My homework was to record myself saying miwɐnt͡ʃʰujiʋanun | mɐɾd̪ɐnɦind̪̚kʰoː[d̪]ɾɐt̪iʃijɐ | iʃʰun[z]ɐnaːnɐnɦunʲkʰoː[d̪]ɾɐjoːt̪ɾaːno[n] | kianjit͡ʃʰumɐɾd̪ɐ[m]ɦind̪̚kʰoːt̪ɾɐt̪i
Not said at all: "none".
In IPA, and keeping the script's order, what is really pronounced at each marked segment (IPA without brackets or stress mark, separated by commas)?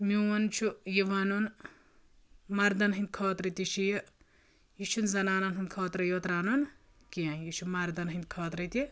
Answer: t̪, z, t̪, n, n